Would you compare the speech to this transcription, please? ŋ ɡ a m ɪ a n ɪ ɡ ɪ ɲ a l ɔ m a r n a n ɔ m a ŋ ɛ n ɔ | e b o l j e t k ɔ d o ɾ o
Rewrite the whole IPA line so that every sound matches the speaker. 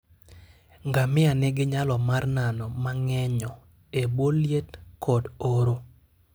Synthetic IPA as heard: ŋ ɡ a m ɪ a n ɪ ɡ ɪ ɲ a l ɔ m a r n a n ɔ m a ŋ ɛ ɲ ɔ | e b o l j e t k ɔ d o ɾ o